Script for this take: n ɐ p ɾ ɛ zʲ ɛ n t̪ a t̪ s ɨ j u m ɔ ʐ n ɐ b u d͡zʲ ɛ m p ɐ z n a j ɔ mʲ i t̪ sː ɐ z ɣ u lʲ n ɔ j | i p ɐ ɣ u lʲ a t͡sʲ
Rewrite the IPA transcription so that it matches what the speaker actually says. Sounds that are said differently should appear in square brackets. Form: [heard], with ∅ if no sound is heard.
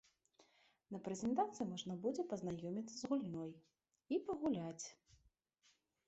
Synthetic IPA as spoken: n ɐ p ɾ ɛ zʲ ɛ n t̪ a t̪ s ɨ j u m ɔ ʐ n ɐ b u d͡zʲ ɛ [∅] p ɐ z n a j ɔ mʲ i t̪ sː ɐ z ɣ u lʲ n ɔ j | i p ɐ ɣ u lʲ a t͡sʲ